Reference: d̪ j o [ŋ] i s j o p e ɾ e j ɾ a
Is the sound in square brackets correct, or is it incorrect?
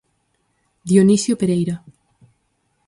incorrect